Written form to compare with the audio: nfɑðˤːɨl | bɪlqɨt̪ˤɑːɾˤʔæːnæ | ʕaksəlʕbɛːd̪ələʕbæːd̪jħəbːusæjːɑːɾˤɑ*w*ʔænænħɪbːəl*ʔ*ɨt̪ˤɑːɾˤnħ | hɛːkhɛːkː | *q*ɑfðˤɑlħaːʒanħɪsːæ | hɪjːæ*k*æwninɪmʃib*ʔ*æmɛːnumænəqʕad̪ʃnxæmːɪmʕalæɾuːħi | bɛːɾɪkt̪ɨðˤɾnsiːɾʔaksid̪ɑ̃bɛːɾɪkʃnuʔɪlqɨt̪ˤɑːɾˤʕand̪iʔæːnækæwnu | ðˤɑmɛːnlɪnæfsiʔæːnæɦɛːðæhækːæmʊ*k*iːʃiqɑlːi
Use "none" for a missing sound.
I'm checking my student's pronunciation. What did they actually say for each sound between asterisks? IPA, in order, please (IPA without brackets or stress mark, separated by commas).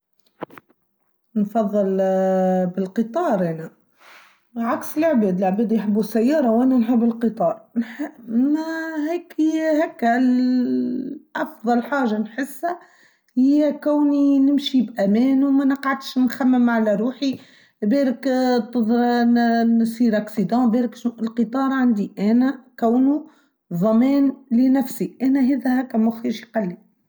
w, q, ʔ, k, ʔ, x